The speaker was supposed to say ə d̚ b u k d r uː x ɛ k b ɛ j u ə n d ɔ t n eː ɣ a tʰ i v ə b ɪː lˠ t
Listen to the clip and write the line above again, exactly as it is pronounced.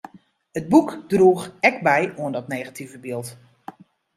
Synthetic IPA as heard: ə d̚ b u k d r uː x ɛ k b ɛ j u ə n d ɔ t n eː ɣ a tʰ i v ə b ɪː lˠ t